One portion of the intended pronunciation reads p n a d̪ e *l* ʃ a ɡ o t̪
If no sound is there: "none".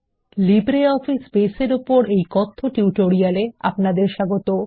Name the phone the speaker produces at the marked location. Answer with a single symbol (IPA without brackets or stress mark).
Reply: ɾ